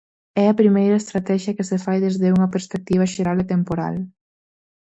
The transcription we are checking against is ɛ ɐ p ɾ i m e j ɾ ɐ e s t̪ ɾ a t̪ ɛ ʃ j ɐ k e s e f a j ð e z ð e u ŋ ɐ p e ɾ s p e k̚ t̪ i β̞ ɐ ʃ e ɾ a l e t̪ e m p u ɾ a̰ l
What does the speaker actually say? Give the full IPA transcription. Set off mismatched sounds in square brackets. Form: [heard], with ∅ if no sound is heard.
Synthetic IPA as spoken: ɛ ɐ p ɾ i m e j ɾ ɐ e s t̪ ɾ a t̪ ɛ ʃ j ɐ k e s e f a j ð e z ð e u ŋ ɐ p e ɾ s p e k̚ t̪ i β̞ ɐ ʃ e ɾ a l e t̪ e m p [o] ɾ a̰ l